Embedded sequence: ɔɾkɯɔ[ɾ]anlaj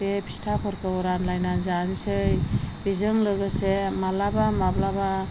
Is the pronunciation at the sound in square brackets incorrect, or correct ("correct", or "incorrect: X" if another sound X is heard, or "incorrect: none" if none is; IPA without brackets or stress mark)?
correct